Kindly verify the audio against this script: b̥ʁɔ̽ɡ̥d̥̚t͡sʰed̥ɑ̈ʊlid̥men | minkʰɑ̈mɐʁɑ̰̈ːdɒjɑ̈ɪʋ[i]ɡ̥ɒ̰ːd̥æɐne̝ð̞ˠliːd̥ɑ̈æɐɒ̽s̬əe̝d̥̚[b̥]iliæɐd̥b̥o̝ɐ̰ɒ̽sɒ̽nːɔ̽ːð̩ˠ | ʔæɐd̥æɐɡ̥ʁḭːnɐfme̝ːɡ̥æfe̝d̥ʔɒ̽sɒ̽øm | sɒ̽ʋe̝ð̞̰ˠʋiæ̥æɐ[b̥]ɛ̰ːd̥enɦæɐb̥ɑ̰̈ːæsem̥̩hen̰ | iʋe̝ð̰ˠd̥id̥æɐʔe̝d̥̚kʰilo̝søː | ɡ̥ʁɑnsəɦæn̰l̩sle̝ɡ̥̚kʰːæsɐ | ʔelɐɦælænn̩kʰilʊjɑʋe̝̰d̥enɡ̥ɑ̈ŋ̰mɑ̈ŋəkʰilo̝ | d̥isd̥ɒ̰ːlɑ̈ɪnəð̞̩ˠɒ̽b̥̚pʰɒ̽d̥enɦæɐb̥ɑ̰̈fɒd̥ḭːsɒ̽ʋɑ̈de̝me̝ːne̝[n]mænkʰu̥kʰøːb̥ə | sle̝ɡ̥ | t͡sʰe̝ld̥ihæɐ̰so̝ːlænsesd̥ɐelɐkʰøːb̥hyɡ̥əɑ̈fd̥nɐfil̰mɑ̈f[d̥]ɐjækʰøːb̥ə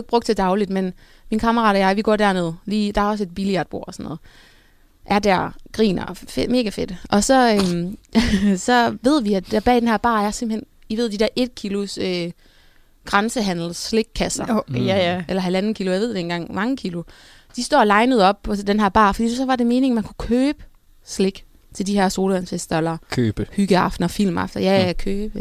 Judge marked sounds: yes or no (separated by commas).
yes, yes, yes, no, yes